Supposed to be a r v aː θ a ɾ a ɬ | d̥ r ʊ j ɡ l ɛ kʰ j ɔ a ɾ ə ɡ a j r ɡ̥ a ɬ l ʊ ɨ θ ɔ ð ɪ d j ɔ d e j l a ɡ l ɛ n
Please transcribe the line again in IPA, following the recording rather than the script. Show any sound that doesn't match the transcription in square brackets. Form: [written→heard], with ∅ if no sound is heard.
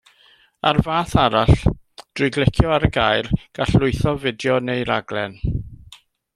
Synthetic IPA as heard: a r v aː θ a ɾ a ɬ | d̥ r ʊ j ɡ l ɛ kʰ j ɔ a ɾ ə ɡ a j r ɡ̥ a ɬ l ʊ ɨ θ ɔ [ð→v] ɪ d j ɔ [d→n] e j [l→ɾ] a ɡ l ɛ n